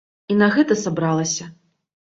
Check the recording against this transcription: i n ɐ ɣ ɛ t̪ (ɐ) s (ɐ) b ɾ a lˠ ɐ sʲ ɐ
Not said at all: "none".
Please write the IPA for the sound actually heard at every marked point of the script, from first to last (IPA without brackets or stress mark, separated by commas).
ɐ, a